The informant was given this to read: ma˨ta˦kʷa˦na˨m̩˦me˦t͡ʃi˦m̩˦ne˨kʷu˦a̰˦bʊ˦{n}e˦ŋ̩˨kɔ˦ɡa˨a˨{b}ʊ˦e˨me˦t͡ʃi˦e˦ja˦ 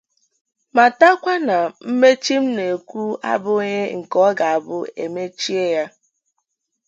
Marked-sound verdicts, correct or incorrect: incorrect, correct

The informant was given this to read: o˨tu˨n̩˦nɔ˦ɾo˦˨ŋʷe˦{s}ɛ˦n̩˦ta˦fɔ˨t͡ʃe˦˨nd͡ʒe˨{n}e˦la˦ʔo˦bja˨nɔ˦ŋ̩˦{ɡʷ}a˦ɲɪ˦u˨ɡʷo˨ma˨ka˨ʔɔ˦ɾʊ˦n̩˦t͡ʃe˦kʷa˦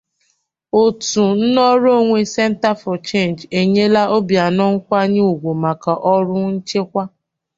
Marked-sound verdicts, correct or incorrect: correct, incorrect, incorrect

